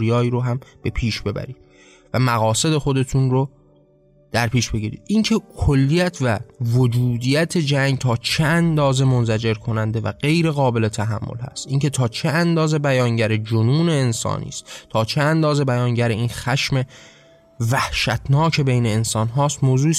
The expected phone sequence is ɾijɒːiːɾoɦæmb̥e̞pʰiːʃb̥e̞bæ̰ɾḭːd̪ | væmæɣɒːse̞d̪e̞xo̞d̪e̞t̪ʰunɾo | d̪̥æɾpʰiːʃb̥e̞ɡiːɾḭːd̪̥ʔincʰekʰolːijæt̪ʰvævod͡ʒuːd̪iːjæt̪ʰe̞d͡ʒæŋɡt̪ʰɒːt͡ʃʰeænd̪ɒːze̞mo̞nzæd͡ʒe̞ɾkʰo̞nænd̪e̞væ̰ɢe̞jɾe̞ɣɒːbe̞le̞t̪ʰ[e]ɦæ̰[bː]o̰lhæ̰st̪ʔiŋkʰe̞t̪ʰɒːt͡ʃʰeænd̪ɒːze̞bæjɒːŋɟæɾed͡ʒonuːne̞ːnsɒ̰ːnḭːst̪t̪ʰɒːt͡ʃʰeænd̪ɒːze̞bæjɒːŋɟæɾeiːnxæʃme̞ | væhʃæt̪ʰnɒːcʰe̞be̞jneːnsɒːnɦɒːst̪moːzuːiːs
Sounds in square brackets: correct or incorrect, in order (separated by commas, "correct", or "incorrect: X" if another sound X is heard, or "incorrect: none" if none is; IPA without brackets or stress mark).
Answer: incorrect: æ, incorrect: mː